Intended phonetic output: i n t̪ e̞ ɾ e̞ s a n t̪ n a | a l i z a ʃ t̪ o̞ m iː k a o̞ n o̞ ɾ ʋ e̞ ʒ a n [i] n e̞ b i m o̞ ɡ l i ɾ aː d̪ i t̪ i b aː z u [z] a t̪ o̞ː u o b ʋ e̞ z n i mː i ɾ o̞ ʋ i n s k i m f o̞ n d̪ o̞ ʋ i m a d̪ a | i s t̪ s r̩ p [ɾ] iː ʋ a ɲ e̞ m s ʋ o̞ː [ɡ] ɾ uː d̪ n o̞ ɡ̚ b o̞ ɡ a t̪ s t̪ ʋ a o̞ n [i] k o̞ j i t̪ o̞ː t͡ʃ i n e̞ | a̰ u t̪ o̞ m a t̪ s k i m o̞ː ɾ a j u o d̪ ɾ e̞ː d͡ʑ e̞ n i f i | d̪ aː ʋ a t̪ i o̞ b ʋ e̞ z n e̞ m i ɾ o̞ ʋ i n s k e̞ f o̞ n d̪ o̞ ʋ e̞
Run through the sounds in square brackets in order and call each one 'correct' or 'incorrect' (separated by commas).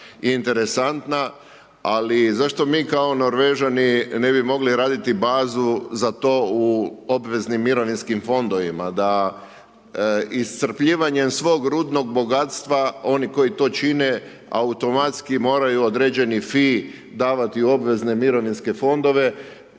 correct, correct, incorrect, correct, correct